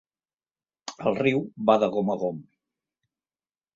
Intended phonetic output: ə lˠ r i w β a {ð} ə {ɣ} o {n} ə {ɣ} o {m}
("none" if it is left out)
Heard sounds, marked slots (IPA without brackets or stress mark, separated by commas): ð, ɣ, m, ɣ, m